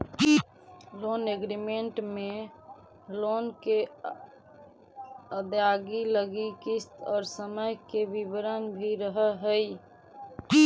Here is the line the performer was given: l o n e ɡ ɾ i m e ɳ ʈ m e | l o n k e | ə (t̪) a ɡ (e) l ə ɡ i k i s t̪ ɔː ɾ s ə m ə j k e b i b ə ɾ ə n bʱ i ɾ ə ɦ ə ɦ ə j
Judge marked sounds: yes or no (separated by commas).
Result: no, no